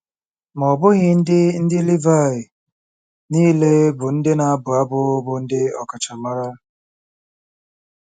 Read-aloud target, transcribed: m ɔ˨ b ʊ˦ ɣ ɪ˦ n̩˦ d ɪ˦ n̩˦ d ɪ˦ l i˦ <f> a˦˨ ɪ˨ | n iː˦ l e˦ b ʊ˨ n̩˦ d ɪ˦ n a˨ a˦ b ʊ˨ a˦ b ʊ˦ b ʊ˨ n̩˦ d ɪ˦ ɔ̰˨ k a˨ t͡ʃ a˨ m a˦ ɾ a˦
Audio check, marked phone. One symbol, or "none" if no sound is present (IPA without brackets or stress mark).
v